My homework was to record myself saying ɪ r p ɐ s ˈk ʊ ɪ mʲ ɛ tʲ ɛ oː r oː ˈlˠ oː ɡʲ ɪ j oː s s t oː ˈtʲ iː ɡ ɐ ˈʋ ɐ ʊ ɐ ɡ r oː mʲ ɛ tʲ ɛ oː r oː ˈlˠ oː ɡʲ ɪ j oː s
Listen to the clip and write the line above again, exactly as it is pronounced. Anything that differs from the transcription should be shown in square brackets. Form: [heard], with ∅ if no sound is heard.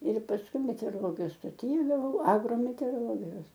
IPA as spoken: ɪ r p ɐ s ˈk ʊ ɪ mʲ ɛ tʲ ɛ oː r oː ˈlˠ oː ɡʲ ɪ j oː s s t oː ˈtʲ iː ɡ ɐ ˈʋ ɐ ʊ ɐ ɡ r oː mʲ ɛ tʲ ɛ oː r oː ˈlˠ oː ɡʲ ɪ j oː s